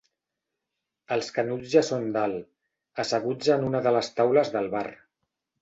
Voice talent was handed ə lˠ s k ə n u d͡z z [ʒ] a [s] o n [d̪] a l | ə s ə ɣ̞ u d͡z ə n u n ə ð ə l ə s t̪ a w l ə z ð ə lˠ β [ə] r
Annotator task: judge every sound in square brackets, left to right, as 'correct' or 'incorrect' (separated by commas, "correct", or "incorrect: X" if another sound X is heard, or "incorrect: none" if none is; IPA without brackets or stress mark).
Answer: correct, correct, correct, incorrect: a